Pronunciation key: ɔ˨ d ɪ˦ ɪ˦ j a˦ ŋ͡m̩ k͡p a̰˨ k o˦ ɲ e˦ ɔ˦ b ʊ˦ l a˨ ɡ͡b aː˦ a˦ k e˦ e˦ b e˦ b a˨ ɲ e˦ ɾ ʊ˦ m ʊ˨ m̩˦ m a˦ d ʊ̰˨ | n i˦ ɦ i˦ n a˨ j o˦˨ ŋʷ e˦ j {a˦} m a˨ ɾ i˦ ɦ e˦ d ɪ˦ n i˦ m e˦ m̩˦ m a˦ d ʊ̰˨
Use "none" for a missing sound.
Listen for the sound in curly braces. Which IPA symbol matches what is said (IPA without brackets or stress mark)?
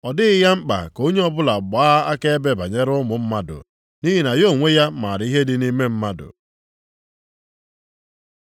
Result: a˦